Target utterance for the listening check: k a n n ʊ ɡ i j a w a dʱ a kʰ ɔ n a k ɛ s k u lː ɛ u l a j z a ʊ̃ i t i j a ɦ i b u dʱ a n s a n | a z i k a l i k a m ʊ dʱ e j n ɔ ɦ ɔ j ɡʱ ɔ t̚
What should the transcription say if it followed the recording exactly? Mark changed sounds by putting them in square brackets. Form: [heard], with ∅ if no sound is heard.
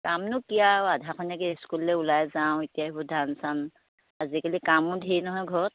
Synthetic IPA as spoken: k a [m] n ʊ [k] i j a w a dʱ a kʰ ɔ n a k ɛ s k u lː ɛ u l a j z a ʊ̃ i t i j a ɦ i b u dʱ a n s a n | a z i k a l i k a m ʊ dʱ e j n ɔ ɦ ɔ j ɡʱ ɔ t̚